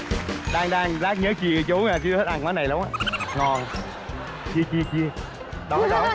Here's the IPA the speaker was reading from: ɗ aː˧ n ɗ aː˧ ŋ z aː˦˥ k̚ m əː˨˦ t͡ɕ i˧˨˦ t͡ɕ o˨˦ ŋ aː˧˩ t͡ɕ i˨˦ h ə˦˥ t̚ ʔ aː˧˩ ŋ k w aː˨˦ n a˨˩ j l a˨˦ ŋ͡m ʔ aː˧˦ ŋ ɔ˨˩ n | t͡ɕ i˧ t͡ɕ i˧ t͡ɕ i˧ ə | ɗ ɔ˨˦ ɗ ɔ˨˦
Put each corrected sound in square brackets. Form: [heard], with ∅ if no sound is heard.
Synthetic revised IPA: ɗ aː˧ [ŋ] ɗ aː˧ ŋ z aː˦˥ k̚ [ɲ] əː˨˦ t͡ɕ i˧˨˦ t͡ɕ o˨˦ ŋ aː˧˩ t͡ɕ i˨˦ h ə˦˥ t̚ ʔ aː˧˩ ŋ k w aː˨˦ n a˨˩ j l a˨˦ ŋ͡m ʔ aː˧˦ ŋ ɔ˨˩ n | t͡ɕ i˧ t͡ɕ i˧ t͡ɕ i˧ ə | ɗ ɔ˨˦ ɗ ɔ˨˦